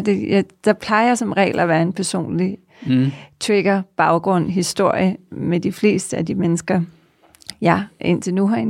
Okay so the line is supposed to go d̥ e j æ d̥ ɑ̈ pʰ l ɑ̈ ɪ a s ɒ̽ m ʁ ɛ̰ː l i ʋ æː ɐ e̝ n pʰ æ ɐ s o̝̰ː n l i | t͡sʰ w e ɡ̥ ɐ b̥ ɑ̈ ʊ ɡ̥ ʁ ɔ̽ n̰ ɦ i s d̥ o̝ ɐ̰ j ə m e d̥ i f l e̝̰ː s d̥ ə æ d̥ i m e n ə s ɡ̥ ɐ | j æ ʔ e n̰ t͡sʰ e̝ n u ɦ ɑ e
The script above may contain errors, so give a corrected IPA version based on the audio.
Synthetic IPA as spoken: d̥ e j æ d̥ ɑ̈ pʰ l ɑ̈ ɪ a s ɒ̽ m ʁ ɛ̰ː l æ ʋ æː ɐ e̝ n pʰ æ ɐ s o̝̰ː n l i | t͡sʰ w e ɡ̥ ɐ b̥ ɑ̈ ʊ ɡ̥ ʁ ɔ̽ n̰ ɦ i s d̥ o̝ ɐ̰ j ə m e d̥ i f l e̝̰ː s d̥ ə æ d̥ i m e n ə s ɡ̥ ɐ | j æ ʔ e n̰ t͡sʰ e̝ n u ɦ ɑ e